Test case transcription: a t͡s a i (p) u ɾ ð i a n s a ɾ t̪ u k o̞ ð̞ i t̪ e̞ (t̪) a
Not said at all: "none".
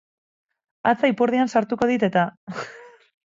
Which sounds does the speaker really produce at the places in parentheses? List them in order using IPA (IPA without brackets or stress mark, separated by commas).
p, t̪